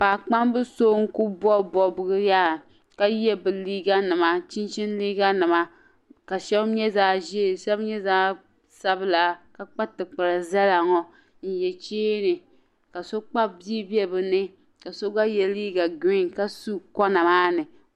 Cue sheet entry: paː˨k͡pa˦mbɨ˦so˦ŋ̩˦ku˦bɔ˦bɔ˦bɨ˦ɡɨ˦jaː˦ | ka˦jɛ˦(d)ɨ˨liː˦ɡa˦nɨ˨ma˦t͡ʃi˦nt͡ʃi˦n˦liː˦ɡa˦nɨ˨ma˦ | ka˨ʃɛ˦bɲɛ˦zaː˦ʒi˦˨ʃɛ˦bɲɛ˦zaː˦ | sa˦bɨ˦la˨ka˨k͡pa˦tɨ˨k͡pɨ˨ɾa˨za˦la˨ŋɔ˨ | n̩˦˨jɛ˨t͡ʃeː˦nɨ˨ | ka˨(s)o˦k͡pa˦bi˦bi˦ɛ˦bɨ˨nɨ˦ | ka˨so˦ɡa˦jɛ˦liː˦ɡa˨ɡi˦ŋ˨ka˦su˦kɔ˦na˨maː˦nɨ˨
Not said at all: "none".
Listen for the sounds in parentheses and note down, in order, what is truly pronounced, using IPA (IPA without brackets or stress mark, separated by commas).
b, s